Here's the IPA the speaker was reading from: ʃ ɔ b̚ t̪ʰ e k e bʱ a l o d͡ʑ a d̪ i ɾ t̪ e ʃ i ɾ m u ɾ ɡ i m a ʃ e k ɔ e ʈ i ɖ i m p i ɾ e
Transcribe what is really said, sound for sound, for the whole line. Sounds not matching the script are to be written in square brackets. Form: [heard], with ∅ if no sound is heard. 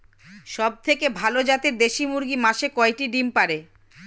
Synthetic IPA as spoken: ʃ ɔ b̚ t̪ʰ e k e bʱ a l o d͡ʑ a [t̪] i ɾ [d̪] e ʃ i [∅] m u ɾ ɡ i m a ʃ e k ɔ e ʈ i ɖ i m p [a] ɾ e